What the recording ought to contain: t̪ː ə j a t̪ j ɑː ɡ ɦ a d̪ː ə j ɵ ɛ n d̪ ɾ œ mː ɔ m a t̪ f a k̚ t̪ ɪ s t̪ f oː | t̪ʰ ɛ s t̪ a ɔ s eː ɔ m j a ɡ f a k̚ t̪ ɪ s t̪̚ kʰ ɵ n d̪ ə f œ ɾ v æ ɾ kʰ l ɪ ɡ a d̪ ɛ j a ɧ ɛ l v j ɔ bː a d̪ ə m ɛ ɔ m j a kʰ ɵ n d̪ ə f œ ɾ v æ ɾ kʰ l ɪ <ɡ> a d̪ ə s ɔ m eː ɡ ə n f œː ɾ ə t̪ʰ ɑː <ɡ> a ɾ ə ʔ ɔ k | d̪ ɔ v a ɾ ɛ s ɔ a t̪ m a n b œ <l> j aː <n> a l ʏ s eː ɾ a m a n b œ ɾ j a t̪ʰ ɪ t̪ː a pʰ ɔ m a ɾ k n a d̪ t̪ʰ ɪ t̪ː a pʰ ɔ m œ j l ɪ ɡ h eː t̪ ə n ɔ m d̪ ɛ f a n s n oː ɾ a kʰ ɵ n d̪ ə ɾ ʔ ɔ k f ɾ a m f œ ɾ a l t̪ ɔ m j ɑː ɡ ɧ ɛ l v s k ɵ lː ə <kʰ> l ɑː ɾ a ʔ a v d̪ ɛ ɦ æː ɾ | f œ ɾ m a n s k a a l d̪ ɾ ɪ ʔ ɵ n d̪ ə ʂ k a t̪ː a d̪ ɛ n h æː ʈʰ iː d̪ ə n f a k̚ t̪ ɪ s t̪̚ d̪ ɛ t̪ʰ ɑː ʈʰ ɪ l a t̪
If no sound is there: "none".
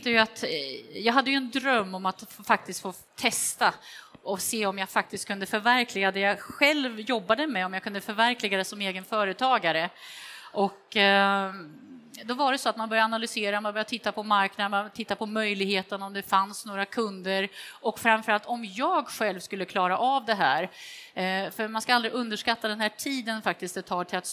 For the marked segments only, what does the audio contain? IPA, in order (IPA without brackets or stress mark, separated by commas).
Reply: ɡ, ɡ, ɾ, n, kʰ